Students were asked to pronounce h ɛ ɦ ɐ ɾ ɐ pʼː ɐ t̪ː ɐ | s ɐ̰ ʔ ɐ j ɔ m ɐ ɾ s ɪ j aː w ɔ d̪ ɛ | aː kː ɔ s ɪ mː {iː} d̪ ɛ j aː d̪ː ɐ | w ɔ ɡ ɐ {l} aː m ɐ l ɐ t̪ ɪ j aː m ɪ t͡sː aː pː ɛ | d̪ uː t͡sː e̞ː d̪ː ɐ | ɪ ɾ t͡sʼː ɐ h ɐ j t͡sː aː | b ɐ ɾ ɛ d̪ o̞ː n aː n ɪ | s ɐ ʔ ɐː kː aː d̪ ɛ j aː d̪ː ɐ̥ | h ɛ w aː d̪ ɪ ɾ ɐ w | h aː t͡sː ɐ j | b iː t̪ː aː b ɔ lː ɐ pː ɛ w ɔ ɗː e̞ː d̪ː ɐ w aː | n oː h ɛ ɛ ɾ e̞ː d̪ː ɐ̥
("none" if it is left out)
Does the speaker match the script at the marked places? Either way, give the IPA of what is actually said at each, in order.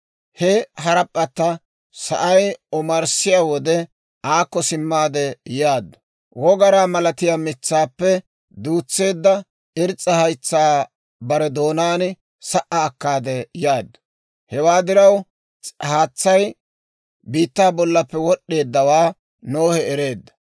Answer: aː, ɾ

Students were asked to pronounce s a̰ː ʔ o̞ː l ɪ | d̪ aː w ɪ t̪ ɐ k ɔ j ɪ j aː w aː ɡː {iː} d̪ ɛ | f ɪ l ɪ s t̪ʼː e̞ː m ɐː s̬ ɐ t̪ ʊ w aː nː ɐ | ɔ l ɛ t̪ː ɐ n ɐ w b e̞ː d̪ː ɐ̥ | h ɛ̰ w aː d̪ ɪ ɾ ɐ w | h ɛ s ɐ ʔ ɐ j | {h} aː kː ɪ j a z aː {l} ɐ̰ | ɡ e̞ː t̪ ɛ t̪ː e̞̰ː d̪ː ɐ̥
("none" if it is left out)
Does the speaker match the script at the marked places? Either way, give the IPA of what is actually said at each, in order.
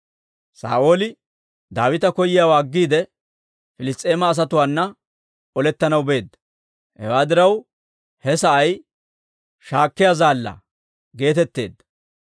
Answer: iː, ʃ, lː

